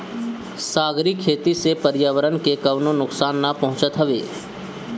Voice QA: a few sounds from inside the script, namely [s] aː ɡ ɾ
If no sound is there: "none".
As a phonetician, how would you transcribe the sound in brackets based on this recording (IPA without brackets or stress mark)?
s